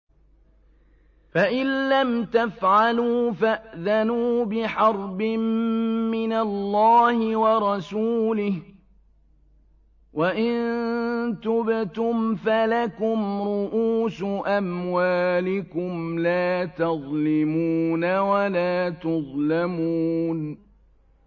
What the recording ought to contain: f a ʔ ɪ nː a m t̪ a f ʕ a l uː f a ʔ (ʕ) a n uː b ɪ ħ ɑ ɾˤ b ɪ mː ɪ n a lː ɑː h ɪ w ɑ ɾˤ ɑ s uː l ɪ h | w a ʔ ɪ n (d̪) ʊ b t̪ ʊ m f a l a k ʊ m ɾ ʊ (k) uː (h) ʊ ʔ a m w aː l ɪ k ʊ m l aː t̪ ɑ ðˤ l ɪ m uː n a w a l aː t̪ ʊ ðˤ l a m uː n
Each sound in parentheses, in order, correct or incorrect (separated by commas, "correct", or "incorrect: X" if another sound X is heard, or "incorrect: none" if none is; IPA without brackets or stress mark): incorrect: ð, incorrect: t̪, incorrect: ʔ, incorrect: s